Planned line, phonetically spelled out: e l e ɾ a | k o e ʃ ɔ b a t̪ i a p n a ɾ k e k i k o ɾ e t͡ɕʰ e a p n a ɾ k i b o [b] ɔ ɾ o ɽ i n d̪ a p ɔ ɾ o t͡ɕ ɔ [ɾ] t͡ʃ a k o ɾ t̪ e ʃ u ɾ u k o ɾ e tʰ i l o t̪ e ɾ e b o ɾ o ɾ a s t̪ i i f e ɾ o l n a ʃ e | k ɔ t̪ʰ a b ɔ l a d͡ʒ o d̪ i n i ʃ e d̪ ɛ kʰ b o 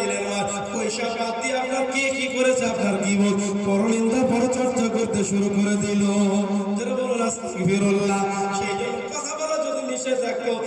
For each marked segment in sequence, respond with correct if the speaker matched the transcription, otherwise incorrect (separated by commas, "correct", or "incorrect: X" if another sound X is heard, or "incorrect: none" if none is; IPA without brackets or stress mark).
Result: incorrect: p, correct